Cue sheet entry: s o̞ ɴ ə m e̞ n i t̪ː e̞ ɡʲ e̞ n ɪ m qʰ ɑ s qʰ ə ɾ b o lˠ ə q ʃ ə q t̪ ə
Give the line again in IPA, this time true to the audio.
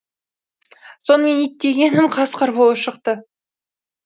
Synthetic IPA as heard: s o̞ n ə m e̞ n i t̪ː e̞ ɡʲ e̞ n ɪ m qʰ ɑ s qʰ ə ɾ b o lˠ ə p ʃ ə q t̪ ə